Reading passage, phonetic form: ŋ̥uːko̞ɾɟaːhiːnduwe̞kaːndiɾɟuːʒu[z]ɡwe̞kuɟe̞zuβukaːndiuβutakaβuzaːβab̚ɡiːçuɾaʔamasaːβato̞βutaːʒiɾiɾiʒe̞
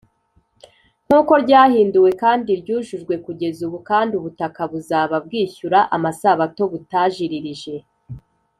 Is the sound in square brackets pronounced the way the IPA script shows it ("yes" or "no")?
no